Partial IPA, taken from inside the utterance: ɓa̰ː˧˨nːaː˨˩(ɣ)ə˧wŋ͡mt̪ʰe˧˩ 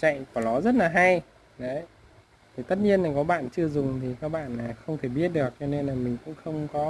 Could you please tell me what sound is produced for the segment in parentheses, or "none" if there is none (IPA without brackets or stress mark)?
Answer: x